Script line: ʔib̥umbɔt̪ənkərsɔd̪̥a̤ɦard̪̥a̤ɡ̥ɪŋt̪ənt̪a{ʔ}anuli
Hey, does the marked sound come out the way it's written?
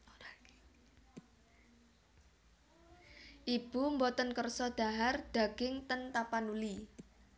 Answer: no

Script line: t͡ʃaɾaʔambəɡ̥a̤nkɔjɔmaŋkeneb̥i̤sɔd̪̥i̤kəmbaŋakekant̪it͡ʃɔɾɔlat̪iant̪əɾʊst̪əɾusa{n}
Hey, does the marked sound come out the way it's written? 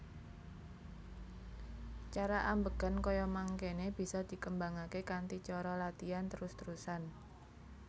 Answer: yes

